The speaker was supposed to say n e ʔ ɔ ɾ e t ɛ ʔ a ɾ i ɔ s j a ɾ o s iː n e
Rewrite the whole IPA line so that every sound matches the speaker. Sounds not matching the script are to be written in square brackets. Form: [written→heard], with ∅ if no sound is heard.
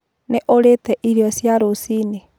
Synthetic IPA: n e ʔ [ɔ→o] ɾ e t ɛ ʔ [a→i] ɾ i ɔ s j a ɾ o s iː n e